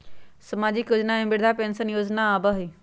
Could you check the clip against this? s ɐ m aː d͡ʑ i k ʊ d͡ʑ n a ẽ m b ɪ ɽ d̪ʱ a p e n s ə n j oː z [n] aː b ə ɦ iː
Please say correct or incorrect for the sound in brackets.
correct